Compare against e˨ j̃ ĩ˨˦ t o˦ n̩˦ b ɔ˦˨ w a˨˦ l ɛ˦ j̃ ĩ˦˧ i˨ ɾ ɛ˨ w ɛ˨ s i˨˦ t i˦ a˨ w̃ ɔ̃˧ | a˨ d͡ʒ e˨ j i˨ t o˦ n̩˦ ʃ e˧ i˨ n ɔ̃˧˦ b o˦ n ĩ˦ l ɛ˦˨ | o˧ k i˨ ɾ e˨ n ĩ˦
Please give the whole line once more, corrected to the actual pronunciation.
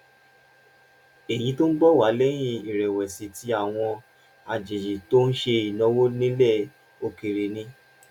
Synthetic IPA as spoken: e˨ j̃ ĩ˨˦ t o˦ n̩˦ b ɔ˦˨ w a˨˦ l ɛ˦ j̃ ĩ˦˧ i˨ ɾ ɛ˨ w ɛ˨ s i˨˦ t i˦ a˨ w̃ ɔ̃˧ | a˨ d͡ʒ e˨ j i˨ t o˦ n̩˦ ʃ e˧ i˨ n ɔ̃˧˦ w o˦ n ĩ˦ l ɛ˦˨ | o˧ k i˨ ɾ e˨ n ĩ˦

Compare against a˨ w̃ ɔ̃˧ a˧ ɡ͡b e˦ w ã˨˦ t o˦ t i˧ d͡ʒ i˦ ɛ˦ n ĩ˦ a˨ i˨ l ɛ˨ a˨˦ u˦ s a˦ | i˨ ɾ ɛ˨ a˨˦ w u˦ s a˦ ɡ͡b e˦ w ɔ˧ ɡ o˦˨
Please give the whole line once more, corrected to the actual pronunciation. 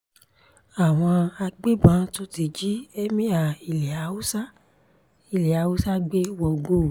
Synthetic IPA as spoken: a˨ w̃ ɔ̃˧ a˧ ɡ͡b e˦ b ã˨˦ t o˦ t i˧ d͡ʒ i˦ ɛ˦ m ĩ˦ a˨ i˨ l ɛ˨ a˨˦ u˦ s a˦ | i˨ l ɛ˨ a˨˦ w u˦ s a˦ ɡ͡b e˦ w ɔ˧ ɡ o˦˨

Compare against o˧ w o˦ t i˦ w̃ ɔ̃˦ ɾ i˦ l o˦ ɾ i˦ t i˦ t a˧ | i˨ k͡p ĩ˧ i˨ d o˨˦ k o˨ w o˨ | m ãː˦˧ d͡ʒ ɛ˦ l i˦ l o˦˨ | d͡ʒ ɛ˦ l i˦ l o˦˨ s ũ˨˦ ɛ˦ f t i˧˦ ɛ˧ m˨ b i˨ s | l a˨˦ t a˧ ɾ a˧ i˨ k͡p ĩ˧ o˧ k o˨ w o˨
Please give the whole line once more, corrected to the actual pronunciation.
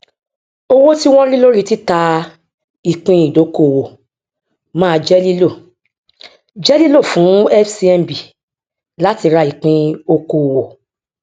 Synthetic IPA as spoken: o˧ w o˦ t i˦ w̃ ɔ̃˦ ɾ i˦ l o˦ ɾ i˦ t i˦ t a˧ | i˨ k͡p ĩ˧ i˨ d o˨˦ k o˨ w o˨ | m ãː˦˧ d͡ʒ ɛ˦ l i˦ l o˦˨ | d͡ʒ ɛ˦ l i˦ l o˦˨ f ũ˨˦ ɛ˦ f s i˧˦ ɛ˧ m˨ b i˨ | l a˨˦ t i˧ ɾ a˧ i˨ k͡p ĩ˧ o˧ k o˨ w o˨

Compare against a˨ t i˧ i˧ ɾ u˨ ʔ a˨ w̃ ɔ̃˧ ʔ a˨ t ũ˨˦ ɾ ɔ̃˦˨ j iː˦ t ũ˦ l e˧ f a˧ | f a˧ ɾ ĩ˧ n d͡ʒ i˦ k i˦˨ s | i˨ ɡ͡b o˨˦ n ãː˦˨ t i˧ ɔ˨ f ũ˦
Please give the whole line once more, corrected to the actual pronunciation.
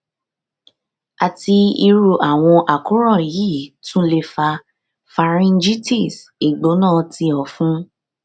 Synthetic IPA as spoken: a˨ t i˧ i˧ ɾ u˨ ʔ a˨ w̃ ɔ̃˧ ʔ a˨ k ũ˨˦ ɾ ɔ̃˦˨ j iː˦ t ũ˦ l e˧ f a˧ | f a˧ ɾ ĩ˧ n d͡ʒ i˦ t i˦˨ s | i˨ ɡ͡b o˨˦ n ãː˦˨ t i˧ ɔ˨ f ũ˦

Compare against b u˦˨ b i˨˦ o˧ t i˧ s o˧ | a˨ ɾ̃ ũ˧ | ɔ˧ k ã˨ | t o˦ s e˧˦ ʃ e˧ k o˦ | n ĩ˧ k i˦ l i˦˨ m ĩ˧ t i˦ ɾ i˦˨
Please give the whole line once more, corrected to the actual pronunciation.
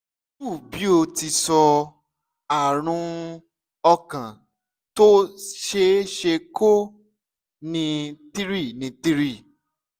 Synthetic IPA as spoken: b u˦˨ b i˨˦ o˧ t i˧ s ɔ˧ | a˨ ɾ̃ ũ˧ | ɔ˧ k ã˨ | t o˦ ʃ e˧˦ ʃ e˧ k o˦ | n ĩ˧ t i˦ ɾ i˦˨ n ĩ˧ t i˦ ɾ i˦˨

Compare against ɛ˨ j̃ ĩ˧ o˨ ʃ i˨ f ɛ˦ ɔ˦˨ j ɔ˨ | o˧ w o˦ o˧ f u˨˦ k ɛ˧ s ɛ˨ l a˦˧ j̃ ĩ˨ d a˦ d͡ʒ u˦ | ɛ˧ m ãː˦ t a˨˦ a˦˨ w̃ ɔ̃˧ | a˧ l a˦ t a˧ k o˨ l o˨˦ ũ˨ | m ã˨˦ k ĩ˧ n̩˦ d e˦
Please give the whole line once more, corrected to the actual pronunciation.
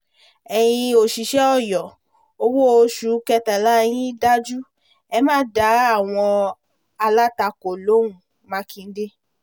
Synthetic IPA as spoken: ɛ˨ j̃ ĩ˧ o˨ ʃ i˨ ʃ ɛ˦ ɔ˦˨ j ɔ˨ | o˧ w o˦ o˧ ʃ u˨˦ k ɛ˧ t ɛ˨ l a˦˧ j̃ ĩ˦ d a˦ d͡ʒ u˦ | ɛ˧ m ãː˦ d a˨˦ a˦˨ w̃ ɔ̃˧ | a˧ l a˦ t a˧ k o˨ l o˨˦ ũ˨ | m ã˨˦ k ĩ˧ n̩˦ d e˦

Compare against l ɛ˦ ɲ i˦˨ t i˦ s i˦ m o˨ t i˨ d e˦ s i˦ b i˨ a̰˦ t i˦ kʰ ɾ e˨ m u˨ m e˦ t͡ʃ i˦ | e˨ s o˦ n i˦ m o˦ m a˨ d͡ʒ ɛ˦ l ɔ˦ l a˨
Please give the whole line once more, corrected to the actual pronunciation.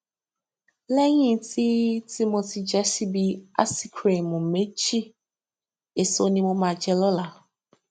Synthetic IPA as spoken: l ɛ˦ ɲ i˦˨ t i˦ t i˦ m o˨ t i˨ d͡ʒ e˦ s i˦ b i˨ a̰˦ s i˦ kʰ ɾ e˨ m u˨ m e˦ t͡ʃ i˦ | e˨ s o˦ n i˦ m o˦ m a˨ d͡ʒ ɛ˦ l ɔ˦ l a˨

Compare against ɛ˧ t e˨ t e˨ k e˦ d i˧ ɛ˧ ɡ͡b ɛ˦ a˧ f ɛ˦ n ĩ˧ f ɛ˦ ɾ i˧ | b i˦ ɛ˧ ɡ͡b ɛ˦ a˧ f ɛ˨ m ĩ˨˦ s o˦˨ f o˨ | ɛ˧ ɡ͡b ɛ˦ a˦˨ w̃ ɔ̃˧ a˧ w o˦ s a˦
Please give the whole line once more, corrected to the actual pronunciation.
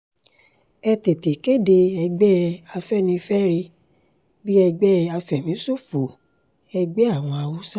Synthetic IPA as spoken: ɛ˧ t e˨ t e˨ k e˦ d e˧ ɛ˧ ɡ͡b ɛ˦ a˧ f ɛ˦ n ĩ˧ f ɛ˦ ɾ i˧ | b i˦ ɛ˧ ɡ͡b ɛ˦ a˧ f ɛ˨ m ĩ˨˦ s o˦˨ f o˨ | ɛ˧ ɡ͡b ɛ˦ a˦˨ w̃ ɔ̃˧ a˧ w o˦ s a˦

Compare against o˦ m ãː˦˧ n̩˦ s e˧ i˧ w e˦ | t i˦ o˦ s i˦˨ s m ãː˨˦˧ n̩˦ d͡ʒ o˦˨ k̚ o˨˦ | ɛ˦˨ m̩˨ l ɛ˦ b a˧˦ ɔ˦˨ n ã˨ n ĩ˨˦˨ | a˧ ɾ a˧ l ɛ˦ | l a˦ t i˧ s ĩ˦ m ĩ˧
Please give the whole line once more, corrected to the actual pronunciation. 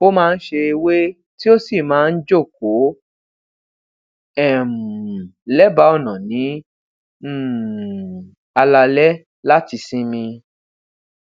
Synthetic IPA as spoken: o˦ m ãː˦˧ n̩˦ ʃ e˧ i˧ w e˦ | t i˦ o˦ s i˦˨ m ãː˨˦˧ n̩˦ d͡ʒ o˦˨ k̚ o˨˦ | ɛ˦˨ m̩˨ l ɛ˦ b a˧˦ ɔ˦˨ n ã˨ n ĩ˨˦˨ | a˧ l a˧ l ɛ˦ | l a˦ t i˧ s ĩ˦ m ĩ˧

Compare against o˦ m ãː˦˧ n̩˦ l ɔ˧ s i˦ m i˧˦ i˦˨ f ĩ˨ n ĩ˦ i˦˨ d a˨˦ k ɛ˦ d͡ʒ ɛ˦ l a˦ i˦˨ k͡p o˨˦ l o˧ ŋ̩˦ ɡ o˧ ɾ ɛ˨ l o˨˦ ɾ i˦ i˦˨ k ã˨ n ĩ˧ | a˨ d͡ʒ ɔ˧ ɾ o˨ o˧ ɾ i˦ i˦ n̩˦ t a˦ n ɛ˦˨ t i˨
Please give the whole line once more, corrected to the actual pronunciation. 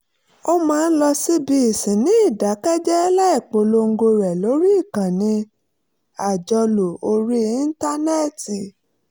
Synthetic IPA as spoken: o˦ m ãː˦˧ n̩˦ l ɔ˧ s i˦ b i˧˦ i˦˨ s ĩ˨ n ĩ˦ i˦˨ d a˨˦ k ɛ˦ d͡ʒ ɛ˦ l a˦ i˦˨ k͡p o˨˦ l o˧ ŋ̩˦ ɡ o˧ ɾ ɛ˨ l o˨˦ ɾ i˦ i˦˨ k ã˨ n ĩ˧ | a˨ d͡ʒ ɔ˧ l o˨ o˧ ɾ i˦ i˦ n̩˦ t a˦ n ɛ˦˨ t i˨

